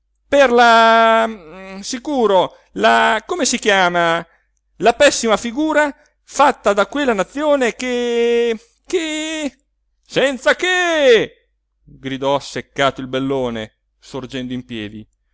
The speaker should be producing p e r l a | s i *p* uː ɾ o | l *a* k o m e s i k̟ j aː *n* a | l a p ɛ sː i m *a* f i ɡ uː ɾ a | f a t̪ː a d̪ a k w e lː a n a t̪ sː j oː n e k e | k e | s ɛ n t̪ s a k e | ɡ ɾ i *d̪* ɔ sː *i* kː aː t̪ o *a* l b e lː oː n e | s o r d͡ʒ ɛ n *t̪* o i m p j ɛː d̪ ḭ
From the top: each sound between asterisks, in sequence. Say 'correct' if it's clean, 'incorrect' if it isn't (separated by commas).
incorrect, correct, incorrect, correct, correct, incorrect, incorrect, incorrect